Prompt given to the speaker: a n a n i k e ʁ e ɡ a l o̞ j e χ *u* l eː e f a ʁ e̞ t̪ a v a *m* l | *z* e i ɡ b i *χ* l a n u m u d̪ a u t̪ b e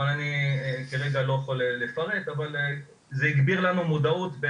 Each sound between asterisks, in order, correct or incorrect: incorrect: o, incorrect: none, correct, incorrect: ʁ

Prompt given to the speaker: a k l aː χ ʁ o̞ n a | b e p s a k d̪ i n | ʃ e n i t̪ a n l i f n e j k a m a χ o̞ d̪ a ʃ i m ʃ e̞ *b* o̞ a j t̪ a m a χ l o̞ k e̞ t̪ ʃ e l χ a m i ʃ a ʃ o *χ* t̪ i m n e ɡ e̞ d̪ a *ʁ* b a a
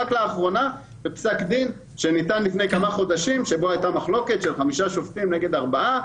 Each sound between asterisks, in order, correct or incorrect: correct, incorrect: f, correct

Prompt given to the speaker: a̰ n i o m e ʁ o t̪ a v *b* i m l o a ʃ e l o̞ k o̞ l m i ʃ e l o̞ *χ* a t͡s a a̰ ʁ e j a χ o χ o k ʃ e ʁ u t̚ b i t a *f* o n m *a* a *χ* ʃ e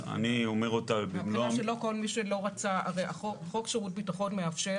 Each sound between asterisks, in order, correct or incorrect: correct, incorrect: ʁ, incorrect: χ, incorrect: e, incorrect: f

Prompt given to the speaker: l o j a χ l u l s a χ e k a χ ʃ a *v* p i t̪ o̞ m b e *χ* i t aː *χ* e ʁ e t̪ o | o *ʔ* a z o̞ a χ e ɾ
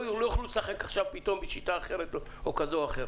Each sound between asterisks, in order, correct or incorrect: correct, incorrect: ʃ, correct, incorrect: k

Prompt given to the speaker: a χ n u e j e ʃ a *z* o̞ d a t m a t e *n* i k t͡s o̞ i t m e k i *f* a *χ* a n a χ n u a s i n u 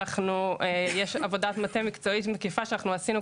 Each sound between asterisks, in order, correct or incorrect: incorrect: v, incorrect: m, correct, incorrect: ʃ

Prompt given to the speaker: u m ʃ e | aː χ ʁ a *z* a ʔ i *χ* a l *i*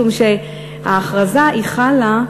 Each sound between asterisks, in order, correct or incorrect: correct, correct, incorrect: a

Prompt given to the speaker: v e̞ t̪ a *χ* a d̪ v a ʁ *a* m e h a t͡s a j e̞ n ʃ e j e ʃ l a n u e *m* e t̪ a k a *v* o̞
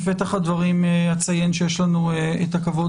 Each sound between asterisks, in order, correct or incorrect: correct, incorrect: i, incorrect: none, correct

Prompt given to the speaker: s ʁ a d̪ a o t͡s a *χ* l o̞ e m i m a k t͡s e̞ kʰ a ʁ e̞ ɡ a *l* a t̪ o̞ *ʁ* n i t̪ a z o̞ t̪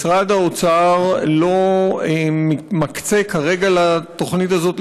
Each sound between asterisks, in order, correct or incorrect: incorrect: ʁ, correct, incorrect: χ

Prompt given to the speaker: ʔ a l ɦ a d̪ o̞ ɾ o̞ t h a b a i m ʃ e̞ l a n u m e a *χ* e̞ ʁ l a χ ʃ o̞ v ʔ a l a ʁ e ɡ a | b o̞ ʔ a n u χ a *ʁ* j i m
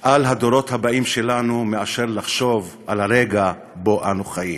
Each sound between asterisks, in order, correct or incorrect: incorrect: ʃ, incorrect: none

